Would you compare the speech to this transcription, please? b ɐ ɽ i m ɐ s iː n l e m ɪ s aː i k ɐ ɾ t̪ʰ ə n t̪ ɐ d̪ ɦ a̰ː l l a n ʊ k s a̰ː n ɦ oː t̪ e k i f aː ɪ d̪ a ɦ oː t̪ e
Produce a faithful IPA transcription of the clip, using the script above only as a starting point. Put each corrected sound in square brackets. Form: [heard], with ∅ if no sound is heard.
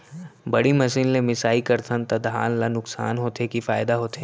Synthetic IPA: b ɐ ɽ i m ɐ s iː n l e m ɪ s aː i k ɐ ɾ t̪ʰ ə n t̪ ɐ d̪ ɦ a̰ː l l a n ʊ k s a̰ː n ɦ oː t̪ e k i f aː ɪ d̪ a ɦ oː t̪ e

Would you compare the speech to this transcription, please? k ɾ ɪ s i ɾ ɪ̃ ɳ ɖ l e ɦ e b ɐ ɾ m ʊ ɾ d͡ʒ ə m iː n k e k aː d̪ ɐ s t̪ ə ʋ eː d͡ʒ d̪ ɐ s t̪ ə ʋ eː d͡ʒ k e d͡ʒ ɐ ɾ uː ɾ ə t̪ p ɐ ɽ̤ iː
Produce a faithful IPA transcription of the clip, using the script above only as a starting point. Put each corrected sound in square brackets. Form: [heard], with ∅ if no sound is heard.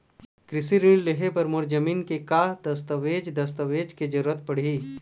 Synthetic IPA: k ɾ ɪ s i ɾ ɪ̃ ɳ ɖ l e ɦ e [p] ɐ ɾ m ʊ ɾ d͡ʒ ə m iː n k e k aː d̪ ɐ s t̪ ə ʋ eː d͡ʒ d̪ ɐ s t̪ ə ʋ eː d͡ʒ k e d͡ʒ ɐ ɾ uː ɾ ə t̪ p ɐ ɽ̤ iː

